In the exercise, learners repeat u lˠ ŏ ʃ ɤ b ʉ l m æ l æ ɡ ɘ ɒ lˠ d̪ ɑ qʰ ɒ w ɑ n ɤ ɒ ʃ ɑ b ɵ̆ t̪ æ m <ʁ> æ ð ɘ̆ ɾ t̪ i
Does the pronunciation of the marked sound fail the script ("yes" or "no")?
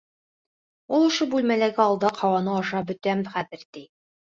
yes